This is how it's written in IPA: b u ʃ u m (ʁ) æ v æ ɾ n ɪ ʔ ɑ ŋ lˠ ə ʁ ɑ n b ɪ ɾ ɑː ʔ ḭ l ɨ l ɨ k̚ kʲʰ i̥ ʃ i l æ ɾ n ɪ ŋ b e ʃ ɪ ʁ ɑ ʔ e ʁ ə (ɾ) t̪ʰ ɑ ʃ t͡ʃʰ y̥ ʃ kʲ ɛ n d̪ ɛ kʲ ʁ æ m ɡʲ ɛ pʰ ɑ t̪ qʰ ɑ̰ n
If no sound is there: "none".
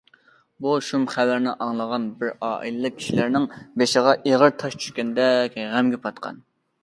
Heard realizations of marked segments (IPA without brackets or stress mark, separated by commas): χ, ɾ